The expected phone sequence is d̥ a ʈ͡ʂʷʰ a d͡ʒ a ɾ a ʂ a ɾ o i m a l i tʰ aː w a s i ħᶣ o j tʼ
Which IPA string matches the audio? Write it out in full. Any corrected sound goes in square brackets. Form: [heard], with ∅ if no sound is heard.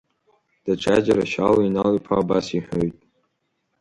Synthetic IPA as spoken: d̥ a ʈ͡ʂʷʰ a d͡ʒ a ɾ a [ʃ] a [l] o i [n] a l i [pʰ] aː [b] a s i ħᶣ o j tʼ